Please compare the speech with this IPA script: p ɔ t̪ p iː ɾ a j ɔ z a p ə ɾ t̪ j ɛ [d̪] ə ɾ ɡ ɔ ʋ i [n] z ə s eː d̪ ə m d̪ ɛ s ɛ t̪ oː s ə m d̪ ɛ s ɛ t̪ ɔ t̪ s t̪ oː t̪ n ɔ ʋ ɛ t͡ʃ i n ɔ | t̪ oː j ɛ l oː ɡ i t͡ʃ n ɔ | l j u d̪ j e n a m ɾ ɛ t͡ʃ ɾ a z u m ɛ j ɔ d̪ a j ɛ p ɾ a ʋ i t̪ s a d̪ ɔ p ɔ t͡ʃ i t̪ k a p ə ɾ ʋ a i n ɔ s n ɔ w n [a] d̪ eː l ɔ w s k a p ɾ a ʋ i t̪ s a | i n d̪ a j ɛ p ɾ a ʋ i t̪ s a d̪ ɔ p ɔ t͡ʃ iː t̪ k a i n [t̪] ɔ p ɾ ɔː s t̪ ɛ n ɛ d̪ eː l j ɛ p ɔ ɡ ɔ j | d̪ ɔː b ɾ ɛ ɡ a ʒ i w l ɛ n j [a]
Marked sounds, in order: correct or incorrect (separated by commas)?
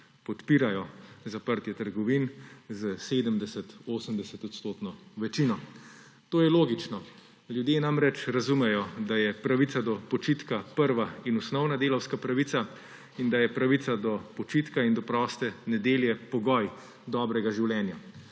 incorrect, correct, correct, incorrect, correct